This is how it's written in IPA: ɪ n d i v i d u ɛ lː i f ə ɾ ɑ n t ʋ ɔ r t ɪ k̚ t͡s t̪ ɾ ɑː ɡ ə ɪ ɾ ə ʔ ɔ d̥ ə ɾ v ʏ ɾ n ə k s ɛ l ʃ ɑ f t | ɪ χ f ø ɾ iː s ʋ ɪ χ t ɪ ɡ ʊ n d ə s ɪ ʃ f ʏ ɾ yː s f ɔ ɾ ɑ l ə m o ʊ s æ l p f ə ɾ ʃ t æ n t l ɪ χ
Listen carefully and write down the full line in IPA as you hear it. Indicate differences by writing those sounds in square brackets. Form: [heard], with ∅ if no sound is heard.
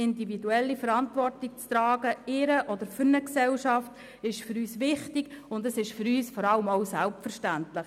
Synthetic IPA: ɪ n d i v i d u ɛ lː i f ə ɾ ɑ n t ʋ ɔ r t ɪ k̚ t͡s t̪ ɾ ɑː ɡ ə ɪ ɾ ə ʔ ɔ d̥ ə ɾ [f] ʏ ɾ n ə k s ɛ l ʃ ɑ f t | ɪ [ʃ] f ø ɾ [yː] s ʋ ɪ χ t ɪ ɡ ʊ n d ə s ɪ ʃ f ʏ ɾ yː s f ɔ ɾ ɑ l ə m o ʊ s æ l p f ə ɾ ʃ t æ n t l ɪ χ

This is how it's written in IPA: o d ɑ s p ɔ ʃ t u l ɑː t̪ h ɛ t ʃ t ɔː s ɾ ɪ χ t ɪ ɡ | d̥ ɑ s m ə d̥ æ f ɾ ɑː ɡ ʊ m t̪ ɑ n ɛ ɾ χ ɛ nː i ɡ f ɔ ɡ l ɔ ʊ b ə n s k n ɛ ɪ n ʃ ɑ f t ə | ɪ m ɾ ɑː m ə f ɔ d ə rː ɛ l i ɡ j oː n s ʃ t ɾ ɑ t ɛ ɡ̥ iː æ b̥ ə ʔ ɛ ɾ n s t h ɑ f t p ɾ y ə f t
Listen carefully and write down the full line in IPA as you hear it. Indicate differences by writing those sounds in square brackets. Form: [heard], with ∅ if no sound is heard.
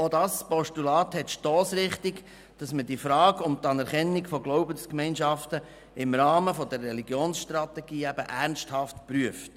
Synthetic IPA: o d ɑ s p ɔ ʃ t u l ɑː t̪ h ɛ t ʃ t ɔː s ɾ ɪ χ t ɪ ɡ | d̥ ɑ s m ə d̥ [i] f ɾ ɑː ɡ ʊ m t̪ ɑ n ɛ ɾ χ ɛ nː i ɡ f ɔ ɡ l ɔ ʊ b ə n s k [m] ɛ ɪ n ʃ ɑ f t ə | ɪ m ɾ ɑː m ə f ɔ d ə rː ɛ l i ɡ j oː n s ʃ t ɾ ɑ t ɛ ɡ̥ iː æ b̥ ə ʔ [æ] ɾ n s t h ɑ f t p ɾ y ə f t

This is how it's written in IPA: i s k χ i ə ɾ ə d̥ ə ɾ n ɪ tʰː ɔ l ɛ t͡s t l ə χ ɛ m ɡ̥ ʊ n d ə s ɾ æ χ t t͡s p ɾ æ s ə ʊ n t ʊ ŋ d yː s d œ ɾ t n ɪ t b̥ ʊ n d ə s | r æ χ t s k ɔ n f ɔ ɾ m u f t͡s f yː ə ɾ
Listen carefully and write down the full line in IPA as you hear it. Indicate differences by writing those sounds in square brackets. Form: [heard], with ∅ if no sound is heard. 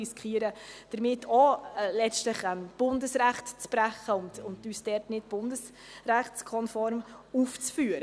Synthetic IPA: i s k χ i ə ɾ ə d̥ ə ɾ [m] ɪ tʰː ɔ l ɛ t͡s t l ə χ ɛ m [b̥] ʊ n d ə s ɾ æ χ t t͡s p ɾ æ [χ] ə ʊ n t ʊ [n] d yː s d [ɛ] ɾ t n ɪ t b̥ ʊ n d ə s | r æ χ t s [kʰ] ɔ n f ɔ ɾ m u f t͡s f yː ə ɾ

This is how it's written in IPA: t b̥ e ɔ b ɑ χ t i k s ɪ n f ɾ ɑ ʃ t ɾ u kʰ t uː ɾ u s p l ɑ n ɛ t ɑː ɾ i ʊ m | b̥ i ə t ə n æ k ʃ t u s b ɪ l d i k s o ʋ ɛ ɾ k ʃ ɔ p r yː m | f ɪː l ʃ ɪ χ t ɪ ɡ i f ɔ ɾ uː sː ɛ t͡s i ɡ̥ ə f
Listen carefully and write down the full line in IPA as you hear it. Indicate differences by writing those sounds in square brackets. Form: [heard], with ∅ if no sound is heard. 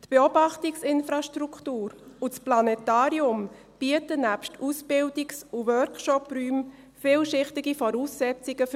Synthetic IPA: t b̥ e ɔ b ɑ χ t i k s ɪ n f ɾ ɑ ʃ t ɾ u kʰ t uː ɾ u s p l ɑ n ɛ t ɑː ɾ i ʊ m | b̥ i ə t ə n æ [p] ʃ t u s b ɪ l d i k s [u] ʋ [œ] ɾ k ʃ ɔ p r yː m | f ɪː l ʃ ɪ χ t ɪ ɡ i f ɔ ɾ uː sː ɛ t͡s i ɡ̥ ə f

